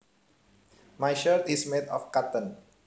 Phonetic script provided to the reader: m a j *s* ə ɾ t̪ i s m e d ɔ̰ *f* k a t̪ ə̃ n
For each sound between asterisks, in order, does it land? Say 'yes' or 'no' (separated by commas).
no, yes